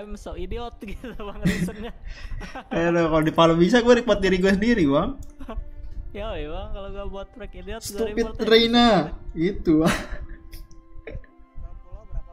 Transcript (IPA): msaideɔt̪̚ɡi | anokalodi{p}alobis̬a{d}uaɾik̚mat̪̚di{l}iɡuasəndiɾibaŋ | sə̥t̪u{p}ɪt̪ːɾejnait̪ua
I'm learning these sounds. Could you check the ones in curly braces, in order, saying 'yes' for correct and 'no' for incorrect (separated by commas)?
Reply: yes, no, no, yes